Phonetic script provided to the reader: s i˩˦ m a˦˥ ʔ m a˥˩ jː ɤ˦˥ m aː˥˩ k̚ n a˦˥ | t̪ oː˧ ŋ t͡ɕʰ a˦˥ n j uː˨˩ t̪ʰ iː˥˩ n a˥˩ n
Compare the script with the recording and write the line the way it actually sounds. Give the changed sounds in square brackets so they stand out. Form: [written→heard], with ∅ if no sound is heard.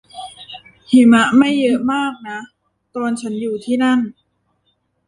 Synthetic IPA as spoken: [s→h] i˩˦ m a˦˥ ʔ m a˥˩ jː ɤ˦˥ m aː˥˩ k̚ n a˦˥ | t̪ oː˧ [ŋ→n] t͡ɕʰ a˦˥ n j uː˨˩ t̪ʰ iː˥˩ n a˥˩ n